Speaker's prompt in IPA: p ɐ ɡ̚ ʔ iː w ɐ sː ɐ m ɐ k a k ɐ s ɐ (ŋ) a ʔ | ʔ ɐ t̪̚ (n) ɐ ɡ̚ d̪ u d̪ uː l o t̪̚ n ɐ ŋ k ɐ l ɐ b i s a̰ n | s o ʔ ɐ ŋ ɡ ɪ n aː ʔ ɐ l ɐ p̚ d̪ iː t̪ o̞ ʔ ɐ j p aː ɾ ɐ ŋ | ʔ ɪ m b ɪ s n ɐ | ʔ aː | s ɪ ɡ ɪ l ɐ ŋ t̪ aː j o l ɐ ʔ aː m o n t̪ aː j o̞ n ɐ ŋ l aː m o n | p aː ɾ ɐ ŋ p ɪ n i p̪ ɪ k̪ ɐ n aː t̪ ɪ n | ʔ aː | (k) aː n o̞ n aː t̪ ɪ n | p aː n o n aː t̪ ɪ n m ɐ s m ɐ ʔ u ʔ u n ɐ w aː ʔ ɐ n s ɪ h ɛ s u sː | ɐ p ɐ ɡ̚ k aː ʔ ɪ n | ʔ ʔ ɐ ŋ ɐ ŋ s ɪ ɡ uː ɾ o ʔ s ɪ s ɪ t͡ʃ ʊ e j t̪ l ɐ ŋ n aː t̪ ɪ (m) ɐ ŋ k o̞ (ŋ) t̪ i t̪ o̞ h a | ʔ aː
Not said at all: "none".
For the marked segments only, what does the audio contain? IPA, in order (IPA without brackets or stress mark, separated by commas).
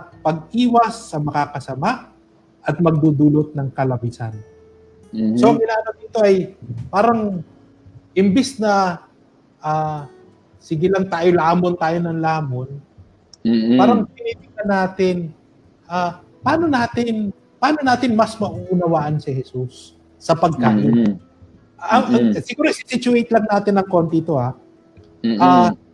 m, m, p, n, n